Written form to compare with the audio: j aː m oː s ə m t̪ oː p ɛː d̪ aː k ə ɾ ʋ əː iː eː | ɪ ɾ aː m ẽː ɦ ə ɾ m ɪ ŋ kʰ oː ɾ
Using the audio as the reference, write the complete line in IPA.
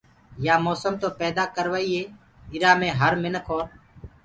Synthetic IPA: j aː m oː s ə m t̪ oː p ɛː d̪ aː k ə ɾ ʋ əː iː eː | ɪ ɾ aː m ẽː ɦ ə ɾ m ɪ n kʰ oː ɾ

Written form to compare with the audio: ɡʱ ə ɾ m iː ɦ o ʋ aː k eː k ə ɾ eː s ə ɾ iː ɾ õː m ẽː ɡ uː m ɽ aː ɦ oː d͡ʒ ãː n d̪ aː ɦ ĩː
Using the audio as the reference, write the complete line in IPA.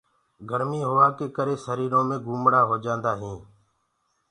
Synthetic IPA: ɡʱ ə ɾ m iː ɦ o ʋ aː k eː k ə ɾ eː s ə ɾ iː ɾ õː m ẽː ɡ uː m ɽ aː ɦ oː d͡ʒ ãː n d̪ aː ɦ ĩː

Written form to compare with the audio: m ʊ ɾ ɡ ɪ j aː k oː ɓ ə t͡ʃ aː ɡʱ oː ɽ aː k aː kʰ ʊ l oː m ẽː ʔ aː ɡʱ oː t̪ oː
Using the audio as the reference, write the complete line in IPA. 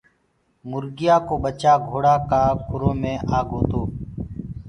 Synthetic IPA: m ʊ ɾ ɡ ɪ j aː k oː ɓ ə t͡ʃ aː ɡʱ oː ɽ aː k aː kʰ ʊ ɾ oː m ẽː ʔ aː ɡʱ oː t̪ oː

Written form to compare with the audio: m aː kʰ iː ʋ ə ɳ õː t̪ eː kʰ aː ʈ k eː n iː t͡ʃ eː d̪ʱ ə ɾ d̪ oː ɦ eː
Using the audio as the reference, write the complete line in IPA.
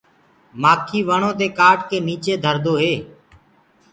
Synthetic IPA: m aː kʰ iː ʋ ə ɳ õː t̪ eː k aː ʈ k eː n iː t͡ʃ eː d̪ʱ ə ɾ d̪ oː ɦ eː

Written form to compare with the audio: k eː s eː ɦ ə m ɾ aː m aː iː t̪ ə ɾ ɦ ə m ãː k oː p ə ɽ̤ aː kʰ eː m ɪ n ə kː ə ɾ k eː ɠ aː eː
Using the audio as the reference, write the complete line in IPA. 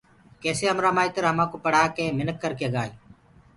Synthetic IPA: k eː s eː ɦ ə m ɾ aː m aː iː t̪ ə ɾ ɦ ə m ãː k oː p ə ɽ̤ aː k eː m ɪ n ə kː ə ɾ k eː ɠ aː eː

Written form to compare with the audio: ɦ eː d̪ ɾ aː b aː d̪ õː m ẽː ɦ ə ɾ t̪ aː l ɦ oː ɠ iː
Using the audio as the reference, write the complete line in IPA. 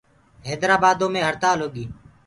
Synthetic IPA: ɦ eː d̪ ɾ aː b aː d̪ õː m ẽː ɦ ə ɾ t̪ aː l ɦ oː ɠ iː

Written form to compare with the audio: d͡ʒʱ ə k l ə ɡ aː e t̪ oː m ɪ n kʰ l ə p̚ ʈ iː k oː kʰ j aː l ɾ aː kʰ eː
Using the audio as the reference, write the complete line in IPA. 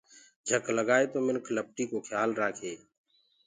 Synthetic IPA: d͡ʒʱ ə k l ə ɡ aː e t̪ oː m ɪ n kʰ l ə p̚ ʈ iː k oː kʰ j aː l ɾ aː kʰ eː

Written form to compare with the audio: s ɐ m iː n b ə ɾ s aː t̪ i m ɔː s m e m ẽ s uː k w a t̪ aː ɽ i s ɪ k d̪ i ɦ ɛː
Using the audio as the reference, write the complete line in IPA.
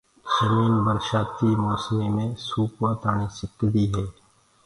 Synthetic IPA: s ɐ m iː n b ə ɾ ʃ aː t̪ i m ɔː s m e m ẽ s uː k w a t̪ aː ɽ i s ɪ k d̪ i ɦ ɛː

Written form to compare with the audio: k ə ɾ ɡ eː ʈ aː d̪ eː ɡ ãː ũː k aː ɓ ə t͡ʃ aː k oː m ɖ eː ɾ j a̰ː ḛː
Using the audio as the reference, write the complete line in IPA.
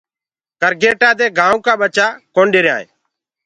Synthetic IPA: k ə ɾ ɡ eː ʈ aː d̪ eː ɡ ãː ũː k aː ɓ ə t͡ʃ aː k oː ɳ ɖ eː ɾ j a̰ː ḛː

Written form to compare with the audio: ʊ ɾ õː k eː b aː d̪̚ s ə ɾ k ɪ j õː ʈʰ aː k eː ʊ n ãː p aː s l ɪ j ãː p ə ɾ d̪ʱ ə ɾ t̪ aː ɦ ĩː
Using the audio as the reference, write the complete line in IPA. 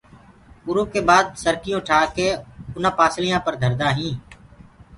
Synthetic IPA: ʊ ɾ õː k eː b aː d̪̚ s ə ɾ k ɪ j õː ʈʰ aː k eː ʊ n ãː p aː s l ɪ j ãː p ə ɾ d̪ʱ ə ɾ d̪ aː ɦ ĩː

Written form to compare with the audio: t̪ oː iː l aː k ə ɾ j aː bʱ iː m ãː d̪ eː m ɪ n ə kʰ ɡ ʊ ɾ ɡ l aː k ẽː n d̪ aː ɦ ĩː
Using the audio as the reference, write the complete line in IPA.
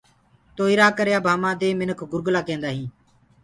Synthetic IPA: t̪ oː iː ɾ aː k ə ɾ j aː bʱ aː m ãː d̪ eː m ɪ n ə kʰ ɡ ʊ ɾ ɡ l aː k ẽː n d̪ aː ɦ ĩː

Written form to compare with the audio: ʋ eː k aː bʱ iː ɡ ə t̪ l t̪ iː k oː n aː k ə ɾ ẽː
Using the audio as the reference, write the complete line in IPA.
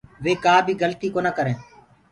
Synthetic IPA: ʋ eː k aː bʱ iː ɡ ə l t̪ iː k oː n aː k ə ɾ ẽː

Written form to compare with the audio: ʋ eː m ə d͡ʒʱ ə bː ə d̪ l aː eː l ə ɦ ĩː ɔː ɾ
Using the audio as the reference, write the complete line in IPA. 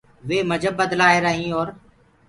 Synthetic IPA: ʋ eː m ə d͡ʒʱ ə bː ə d̪ l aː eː ɾ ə ɦ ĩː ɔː ɾ

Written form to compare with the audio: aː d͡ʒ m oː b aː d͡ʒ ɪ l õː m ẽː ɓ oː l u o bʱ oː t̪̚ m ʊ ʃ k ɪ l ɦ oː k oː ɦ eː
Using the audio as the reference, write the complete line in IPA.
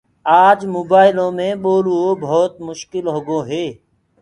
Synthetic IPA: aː d͡ʒ m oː b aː ɪ l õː m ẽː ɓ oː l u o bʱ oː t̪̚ m ʊ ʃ k ɪ l ɦ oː ɡ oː ɦ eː

